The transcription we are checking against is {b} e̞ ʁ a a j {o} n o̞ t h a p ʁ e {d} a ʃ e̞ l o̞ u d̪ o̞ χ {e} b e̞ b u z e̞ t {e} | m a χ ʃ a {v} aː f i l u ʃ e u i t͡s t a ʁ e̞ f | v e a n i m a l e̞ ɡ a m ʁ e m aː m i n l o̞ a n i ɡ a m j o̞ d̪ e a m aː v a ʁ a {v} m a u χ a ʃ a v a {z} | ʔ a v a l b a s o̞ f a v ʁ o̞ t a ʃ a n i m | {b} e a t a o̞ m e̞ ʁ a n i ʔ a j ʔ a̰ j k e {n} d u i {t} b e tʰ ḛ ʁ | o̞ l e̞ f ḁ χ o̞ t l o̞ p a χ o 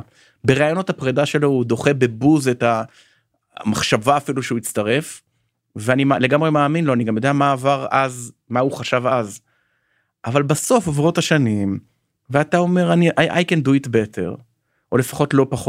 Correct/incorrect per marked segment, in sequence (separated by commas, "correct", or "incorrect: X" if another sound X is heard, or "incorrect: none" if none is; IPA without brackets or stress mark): correct, correct, correct, correct, incorrect: a, correct, incorrect: z, correct, incorrect: v, correct, correct